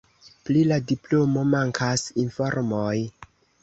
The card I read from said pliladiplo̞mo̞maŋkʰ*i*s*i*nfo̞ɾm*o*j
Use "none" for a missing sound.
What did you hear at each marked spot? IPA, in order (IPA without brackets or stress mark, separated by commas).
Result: a, i, o